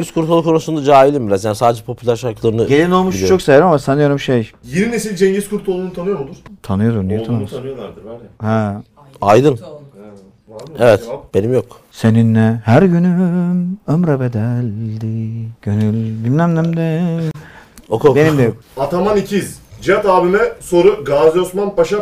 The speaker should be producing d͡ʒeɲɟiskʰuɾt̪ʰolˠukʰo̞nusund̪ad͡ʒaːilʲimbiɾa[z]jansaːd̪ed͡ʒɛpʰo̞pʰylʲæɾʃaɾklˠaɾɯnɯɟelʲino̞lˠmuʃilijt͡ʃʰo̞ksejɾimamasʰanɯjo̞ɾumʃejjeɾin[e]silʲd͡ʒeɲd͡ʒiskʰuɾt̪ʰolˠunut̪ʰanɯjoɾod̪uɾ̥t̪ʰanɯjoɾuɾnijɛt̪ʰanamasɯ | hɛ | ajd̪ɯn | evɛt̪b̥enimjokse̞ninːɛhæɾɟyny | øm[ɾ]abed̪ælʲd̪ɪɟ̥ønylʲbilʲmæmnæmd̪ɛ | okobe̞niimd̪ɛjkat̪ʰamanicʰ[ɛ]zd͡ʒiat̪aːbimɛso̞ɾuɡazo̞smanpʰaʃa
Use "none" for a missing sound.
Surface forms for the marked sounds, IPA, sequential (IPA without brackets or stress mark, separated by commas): z, e, ɾ, i